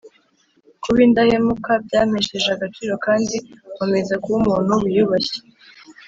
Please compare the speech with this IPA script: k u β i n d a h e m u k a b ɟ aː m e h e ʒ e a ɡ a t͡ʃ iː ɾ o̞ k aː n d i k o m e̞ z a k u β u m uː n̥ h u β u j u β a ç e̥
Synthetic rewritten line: k u β i n d a h e m u k a b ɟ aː m e ʃ e ʒ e a ɡ a t͡ʃ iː ɾ o̞ k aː n d i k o m e̞ z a k u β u m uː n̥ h u β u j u β a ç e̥